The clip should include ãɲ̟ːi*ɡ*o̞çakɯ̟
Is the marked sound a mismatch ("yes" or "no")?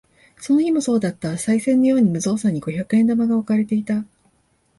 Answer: no